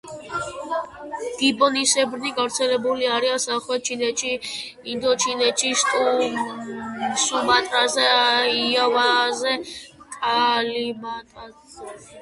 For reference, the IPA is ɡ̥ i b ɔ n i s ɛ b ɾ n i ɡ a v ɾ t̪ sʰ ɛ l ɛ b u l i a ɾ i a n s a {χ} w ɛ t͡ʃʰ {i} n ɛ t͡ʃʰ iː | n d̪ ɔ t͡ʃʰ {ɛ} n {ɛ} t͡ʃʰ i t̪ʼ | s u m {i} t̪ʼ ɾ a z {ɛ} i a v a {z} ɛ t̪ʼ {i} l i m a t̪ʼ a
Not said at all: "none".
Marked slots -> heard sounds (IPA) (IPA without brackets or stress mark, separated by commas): χ, i, i, ɛ, a, ɛ, z, a